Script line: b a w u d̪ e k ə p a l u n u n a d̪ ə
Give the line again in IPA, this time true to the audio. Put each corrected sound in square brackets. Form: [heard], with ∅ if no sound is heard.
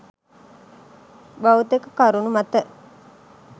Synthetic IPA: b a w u [t̪] e k ə [k] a [ɾ] u n u [m] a [t̪] ə